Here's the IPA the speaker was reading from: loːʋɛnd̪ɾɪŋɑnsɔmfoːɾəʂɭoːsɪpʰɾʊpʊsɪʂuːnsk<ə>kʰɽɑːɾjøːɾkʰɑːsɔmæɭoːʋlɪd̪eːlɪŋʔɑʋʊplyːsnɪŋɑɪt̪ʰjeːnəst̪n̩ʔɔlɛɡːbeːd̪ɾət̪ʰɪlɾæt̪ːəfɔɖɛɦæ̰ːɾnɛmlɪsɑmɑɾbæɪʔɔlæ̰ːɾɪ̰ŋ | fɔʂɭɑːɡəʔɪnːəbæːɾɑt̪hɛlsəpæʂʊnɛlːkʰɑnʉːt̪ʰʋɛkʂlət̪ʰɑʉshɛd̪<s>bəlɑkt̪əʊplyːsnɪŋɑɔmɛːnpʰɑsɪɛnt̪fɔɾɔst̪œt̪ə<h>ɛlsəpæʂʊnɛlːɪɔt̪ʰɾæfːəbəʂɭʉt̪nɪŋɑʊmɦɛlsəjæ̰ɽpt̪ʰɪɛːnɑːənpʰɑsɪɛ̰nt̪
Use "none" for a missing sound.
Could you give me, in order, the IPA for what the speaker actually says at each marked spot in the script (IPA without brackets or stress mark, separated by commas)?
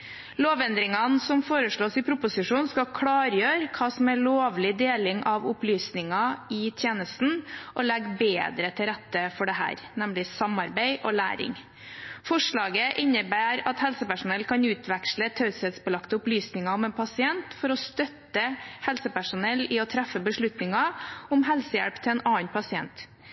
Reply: ɑ, s, h